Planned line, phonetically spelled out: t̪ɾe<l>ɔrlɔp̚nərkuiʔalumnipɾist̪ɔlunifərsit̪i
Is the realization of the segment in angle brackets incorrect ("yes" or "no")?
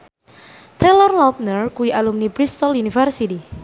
no